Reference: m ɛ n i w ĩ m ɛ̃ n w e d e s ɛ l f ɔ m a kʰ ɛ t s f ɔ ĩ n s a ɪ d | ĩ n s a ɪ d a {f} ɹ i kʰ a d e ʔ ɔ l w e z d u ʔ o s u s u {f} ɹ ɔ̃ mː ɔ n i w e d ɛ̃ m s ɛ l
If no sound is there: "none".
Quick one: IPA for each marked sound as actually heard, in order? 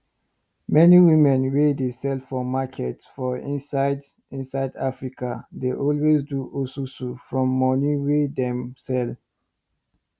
f, f

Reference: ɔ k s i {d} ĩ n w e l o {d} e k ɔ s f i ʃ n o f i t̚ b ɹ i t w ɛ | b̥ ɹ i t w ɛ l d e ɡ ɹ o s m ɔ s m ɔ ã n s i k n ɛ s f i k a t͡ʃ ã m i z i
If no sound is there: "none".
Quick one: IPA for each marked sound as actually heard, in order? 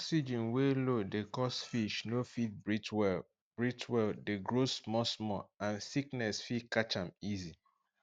d͡ʒ, d

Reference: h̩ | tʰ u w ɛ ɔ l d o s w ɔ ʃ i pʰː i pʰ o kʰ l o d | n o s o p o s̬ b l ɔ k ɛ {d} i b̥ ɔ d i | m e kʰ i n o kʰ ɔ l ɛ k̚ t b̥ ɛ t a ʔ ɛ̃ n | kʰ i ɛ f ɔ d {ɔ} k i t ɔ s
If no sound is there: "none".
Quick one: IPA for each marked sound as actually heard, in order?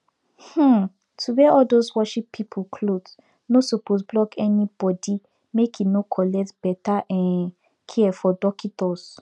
n, ɔ

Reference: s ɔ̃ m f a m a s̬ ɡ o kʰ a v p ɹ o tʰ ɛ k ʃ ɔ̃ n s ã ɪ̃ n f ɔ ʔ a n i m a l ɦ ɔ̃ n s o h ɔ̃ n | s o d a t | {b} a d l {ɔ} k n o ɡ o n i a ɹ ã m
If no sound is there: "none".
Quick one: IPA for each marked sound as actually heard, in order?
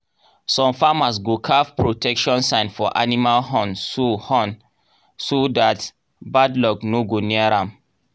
b, ɔ

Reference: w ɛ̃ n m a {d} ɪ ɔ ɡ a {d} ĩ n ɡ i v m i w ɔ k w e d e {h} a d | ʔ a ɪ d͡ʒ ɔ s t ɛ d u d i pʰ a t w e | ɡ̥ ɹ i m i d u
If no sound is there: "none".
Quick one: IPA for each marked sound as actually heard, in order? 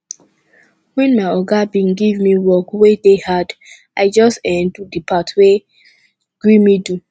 none, b, h

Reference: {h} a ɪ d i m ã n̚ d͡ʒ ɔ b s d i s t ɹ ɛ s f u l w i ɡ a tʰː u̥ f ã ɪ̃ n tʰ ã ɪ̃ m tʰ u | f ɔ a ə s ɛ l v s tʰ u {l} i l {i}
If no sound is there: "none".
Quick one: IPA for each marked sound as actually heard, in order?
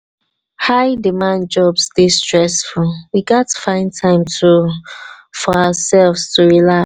h, ɹ, a

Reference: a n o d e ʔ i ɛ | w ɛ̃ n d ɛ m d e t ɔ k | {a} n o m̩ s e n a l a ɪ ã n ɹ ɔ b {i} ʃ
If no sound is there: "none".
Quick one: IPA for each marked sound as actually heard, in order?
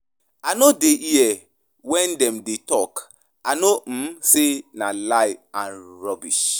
a, i

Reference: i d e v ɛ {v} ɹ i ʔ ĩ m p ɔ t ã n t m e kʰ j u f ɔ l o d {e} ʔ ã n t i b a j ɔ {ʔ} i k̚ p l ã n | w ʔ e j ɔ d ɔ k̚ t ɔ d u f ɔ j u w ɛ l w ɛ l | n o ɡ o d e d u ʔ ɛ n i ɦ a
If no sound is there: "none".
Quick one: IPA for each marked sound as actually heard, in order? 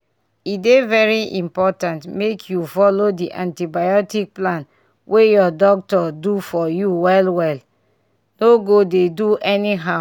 none, i, t

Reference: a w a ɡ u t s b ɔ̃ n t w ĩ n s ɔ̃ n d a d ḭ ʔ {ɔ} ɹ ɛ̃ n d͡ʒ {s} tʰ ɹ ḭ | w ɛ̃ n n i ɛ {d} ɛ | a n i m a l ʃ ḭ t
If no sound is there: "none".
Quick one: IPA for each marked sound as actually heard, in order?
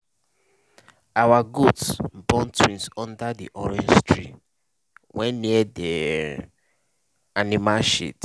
ɔ, s, d

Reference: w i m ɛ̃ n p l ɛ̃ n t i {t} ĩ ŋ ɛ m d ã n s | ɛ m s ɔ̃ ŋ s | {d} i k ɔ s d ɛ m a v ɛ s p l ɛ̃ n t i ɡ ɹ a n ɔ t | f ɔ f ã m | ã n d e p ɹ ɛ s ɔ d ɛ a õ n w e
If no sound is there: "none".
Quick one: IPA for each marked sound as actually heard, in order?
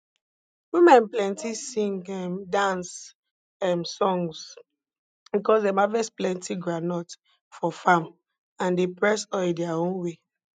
s, b

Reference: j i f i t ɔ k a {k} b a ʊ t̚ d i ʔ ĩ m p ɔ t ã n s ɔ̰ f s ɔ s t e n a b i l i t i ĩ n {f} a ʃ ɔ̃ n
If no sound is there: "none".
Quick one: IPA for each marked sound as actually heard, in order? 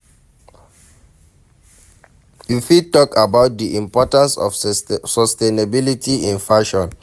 none, f

